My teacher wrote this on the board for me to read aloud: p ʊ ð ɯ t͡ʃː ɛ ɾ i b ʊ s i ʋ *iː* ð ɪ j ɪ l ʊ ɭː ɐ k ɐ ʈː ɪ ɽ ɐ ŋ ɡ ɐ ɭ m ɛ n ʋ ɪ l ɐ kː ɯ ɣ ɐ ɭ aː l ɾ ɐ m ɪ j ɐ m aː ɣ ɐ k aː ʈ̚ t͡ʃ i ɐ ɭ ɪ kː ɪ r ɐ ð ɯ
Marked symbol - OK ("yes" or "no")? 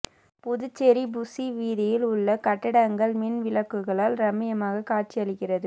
yes